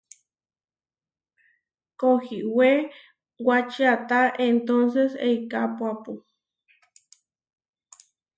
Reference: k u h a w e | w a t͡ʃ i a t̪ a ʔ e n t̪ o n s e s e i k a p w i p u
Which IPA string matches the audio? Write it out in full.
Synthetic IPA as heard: k o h i w e | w a t͡ʃ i a t̪ a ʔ e n t̪ o n s e s e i k a p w a p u